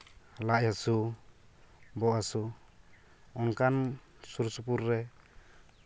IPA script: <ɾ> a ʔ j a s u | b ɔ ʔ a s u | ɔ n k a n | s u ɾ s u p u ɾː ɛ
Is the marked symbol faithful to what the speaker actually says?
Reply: no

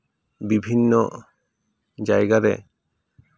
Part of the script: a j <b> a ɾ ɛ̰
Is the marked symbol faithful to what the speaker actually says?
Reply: no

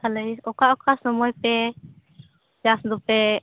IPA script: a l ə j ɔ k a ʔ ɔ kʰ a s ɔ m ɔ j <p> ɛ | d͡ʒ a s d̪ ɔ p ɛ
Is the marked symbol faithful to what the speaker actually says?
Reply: yes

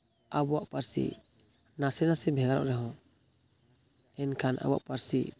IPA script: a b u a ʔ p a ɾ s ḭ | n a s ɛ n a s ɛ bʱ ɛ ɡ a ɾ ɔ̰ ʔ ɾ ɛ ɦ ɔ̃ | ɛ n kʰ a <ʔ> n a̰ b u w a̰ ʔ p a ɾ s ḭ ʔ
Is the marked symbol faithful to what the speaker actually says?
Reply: no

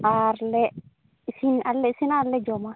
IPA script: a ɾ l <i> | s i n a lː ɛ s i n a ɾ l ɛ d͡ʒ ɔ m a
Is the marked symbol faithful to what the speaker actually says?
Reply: no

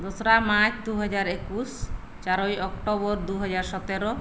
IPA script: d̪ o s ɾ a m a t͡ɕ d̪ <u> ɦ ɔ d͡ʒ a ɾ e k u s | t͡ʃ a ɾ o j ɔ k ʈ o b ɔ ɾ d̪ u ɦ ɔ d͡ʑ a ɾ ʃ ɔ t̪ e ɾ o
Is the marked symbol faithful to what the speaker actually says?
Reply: yes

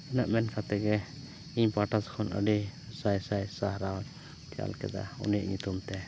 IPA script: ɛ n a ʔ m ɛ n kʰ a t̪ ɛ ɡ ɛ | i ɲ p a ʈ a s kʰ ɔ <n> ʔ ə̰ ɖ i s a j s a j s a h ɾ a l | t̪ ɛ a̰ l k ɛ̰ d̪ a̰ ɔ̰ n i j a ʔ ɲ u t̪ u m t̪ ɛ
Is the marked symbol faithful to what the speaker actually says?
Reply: yes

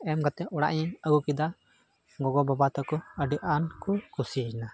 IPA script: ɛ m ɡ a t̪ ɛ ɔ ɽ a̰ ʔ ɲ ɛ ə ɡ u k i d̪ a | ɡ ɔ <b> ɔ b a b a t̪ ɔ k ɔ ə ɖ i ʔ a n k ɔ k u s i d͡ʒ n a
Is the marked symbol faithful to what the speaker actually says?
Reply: no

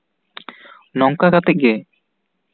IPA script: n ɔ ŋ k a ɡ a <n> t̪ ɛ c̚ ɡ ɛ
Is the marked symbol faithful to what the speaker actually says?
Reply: no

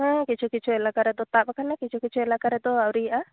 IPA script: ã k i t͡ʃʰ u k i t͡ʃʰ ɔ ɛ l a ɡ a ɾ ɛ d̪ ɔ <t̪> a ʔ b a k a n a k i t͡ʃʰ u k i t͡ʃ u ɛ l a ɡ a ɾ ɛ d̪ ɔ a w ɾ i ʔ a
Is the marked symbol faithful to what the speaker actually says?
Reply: yes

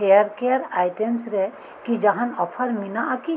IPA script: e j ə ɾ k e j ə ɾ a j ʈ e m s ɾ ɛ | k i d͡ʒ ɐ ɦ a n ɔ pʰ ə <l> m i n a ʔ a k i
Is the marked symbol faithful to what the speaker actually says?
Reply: no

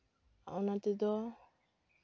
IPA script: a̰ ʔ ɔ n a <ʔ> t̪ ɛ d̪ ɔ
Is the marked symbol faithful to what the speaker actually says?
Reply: no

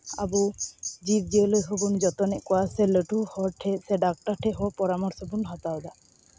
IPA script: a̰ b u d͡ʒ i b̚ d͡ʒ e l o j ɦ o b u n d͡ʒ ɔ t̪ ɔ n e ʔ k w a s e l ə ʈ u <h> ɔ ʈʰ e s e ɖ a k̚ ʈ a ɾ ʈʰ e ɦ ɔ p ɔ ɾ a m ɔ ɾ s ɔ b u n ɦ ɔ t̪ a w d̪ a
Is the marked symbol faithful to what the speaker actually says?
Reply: yes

